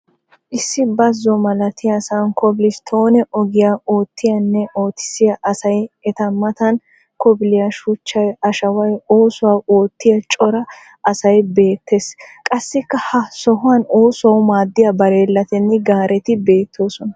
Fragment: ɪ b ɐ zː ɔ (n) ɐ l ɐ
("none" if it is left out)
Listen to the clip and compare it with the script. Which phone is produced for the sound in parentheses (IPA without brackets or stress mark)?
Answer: m